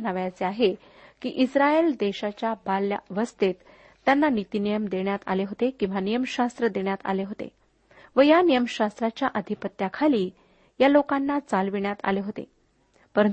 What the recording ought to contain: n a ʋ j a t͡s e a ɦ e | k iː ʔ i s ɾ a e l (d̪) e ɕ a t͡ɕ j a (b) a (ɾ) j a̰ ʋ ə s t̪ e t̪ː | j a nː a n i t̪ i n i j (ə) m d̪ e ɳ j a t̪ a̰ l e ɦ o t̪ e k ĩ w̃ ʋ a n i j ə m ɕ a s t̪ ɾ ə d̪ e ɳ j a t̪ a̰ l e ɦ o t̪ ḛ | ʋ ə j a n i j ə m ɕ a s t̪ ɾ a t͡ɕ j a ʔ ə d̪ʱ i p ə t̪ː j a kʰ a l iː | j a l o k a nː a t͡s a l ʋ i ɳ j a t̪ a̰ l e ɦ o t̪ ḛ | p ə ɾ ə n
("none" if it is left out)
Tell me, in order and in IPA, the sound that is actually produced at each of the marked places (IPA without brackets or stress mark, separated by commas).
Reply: d̪, b, l, ə